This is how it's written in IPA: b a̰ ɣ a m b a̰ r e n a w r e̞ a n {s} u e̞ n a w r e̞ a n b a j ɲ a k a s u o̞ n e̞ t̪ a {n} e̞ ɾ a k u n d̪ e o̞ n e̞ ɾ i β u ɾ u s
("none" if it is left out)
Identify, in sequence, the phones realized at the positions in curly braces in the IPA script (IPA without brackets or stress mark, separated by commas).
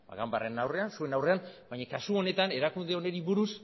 s, n